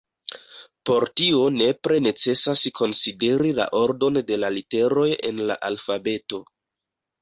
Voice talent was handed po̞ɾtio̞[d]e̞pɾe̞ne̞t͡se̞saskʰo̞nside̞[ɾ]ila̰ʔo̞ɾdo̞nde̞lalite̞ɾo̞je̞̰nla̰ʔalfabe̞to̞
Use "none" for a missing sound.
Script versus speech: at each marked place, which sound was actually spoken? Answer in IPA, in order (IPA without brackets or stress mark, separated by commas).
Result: n, ɾ